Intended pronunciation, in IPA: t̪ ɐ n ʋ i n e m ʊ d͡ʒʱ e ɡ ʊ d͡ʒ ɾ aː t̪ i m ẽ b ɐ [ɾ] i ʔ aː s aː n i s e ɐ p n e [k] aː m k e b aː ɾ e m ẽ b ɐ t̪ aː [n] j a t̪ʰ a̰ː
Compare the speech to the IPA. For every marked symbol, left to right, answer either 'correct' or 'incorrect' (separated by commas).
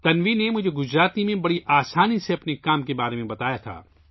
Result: incorrect, correct, incorrect